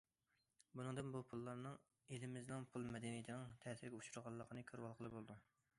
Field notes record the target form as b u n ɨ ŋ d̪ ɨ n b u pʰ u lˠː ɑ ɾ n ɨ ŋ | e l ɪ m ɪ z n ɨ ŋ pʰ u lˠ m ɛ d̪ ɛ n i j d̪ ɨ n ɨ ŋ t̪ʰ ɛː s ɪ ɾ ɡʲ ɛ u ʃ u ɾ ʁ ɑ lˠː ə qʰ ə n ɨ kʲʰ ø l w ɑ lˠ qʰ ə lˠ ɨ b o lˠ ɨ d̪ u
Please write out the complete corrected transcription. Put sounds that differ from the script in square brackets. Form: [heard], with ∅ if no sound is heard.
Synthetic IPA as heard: b u n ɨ ŋ d̪ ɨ n b u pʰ u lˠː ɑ ɾ n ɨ ŋ | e l ɪ m ɪ z n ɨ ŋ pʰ u lˠ m ɛ d̪ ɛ n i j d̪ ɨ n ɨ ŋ t̪ʰ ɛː s ɪ ɾ ɡʲ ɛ u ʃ u ɾ ʁ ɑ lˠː ə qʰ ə n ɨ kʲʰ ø [ɾ] w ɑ lˠ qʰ ə lˠ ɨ b o lˠ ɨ d̪ u